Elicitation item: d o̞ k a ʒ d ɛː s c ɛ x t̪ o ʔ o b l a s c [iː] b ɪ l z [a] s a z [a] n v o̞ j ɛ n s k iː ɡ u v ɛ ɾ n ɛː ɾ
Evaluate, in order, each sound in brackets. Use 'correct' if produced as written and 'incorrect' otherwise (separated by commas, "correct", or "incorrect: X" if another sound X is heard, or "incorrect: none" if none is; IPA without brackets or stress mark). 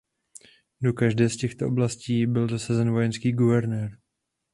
correct, correct, incorrect: ɛ